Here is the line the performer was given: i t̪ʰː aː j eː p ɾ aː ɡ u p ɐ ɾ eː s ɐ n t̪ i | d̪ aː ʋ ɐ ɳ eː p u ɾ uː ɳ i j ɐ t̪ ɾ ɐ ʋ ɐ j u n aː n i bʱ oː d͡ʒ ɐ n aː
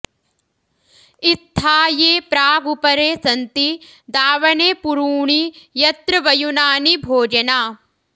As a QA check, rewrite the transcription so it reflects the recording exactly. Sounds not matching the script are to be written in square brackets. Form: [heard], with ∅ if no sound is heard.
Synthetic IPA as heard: i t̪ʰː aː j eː p ɾ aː ɡ u p ɐ ɾ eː s ɐ n t̪ i | d̪ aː ʋ ɐ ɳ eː p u ɾ uː ɳ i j ɐ t̪ ɾ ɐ ʋ ɐ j u n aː n i bʱ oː d͡ʒ ɐ n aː